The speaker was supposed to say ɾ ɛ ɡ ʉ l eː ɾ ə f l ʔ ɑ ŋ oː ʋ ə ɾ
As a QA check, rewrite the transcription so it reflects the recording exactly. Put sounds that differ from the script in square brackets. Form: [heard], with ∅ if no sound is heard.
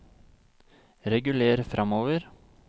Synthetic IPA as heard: ɾ ɛ ɡ ʉ l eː ɾ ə f [ɾ] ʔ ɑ [m] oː ʋ ə ɾ